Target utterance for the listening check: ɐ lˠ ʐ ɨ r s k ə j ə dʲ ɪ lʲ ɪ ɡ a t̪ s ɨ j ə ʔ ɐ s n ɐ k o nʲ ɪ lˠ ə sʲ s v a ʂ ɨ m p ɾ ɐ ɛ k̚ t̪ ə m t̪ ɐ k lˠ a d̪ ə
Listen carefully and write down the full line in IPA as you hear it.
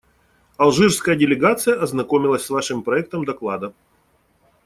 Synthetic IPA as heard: ɐ lˠ ʐ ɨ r s k ə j ə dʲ ɪ lʲ ɪ ɡ a t̪ s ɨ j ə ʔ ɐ z n ɐ k o mʲ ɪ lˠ ə sʲ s v a ʂ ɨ m p ɾ ɐ ɛ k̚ t̪ ə m d̪ ɐ k lˠ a d̪ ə